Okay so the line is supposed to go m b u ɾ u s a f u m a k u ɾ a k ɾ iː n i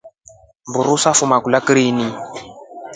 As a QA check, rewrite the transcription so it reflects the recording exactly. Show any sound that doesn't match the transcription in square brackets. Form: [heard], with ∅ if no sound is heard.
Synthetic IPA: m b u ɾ u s a f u m a k u [l] a k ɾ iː n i